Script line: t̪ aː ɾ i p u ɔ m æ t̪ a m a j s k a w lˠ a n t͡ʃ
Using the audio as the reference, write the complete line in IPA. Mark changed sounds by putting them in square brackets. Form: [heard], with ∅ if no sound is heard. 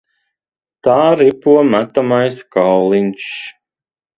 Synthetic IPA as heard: t̪ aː ɾ i p u ɔ m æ t̪ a m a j s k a w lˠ [i] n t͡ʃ